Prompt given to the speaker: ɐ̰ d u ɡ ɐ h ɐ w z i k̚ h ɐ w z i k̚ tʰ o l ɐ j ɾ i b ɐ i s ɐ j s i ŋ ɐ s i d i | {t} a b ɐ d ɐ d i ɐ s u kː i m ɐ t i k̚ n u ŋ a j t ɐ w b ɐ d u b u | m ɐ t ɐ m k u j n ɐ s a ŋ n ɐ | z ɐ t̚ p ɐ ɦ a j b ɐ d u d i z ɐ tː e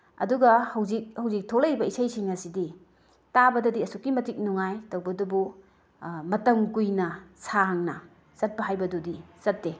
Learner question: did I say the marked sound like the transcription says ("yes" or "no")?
yes